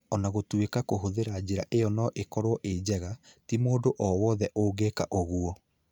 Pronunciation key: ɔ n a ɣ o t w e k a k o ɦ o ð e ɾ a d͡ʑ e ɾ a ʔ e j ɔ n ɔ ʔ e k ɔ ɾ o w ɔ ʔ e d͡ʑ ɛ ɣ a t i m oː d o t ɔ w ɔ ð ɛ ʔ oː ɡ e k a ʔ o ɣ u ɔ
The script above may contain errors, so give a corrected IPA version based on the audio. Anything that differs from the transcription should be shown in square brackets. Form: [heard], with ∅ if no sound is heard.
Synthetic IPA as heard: ɔ n a ɣ o t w e k a k o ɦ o ð e ɾ a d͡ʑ e ɾ a ʔ e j ɔ n ɔ ʔ e k ɔ ɾ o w ɔ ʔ e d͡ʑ ɛ ɣ a t i m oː d o [ʔ] ɔ w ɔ ð ɛ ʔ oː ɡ e k a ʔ o ɣ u ɔ

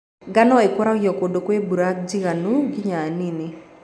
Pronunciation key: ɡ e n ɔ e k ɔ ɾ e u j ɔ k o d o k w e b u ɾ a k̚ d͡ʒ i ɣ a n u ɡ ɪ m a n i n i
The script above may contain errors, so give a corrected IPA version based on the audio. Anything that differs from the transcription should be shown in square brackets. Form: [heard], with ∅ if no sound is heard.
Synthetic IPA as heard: ɡ [a] n ɔ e k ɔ ɾ [a] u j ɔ k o d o k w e b u ɾ a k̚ d͡ʒ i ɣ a n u ɡ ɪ [ɲ] a n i n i

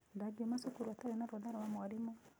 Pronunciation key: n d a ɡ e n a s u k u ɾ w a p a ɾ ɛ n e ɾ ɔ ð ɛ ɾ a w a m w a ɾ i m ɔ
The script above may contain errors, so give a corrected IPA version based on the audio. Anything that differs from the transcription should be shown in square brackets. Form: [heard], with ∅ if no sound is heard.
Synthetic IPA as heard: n d a ɡ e [m] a s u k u ɾ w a [t] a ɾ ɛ n [a] ɾ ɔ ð [a] ɾ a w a m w a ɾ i m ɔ

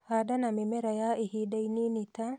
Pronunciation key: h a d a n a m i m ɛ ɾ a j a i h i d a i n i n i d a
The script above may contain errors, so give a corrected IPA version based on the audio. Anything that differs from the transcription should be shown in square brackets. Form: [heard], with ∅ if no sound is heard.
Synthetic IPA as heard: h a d a n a m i m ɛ ɾ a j a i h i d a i n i n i [t] a

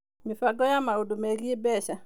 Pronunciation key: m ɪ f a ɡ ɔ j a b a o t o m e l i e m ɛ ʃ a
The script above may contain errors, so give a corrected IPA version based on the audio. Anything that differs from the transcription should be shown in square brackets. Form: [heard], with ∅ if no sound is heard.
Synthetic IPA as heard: m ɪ f a ɡ ɔ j a [m] a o [d] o m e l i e [b] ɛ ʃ a

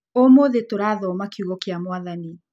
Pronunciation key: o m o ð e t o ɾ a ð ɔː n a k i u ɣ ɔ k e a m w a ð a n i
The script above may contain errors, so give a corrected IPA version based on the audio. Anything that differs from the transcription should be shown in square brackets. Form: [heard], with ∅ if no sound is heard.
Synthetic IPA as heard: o m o ð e t o ɾ a ð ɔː [m] a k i u ɣ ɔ k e a m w a ð a n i

